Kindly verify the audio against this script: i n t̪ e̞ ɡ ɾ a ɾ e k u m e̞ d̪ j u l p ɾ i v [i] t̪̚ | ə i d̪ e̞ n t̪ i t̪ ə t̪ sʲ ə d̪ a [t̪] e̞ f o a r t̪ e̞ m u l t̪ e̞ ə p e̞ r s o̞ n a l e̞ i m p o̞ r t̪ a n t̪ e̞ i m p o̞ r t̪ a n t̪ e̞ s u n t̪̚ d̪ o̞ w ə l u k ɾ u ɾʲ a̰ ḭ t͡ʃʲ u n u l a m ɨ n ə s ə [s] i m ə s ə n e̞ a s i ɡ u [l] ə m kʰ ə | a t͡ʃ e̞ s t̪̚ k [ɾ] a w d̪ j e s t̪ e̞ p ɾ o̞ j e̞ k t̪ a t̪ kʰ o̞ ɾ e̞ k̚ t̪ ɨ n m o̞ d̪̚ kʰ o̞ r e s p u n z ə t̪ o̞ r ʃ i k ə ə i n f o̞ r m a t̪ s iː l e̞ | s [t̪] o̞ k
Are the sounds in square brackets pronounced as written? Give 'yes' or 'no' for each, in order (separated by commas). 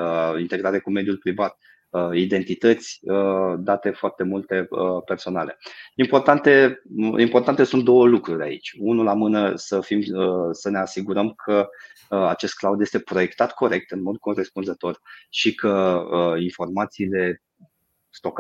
no, yes, no, no, no, yes